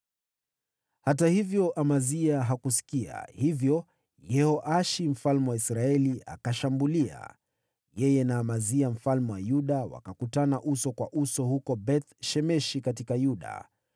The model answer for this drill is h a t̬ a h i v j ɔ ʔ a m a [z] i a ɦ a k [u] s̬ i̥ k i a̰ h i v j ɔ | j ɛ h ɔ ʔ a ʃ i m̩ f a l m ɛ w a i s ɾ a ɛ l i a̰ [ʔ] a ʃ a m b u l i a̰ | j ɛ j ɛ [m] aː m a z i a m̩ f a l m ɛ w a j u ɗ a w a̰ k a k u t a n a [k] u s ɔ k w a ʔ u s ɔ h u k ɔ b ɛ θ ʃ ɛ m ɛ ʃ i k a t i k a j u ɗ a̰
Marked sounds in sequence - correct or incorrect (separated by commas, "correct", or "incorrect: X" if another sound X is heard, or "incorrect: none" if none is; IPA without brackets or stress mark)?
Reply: correct, correct, incorrect: k, incorrect: n, incorrect: ʔ